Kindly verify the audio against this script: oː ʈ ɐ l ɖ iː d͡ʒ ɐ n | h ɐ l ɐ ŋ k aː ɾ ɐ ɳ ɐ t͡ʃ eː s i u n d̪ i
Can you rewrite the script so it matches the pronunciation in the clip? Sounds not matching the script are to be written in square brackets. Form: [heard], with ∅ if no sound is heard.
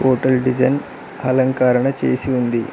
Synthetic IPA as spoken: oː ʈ ɐ l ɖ [i] d͡ʒ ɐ n | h ɐ l ɐ ŋ k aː ɾ ɐ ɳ ɐ t͡ʃ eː s i u n d̪ i